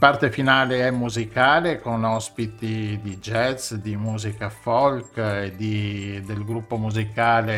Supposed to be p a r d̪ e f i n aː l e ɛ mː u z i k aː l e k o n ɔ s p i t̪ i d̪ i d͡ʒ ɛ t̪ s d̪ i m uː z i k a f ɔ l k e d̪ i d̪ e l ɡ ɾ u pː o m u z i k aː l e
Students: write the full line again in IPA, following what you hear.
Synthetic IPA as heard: p a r t̪ e f i n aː l e ɛ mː u z i k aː l e k o n ɔ s p i t̪ i d̪ i d͡ʒ ɛ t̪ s d̪ i m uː z i k a f ɔ l k e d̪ i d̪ e l ɡ ɾ u pː o m u z i k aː l e